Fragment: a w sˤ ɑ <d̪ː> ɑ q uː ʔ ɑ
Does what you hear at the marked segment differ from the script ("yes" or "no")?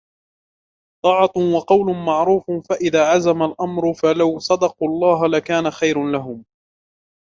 yes